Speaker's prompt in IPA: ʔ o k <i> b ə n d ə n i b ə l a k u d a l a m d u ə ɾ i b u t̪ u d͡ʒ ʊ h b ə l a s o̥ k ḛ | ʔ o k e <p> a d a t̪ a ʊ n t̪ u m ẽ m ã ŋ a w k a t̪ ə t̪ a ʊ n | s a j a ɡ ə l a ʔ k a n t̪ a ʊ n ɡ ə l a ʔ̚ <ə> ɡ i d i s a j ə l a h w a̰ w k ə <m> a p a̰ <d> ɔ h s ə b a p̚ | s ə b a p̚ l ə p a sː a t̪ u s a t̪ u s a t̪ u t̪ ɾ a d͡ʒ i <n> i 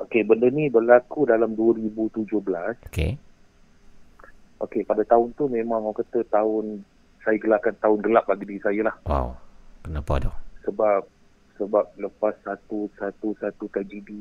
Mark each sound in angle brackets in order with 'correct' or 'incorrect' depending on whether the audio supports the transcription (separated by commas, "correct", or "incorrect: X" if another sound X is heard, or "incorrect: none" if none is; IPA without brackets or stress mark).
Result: incorrect: e, correct, incorrect: a, incorrect: n, correct, incorrect: d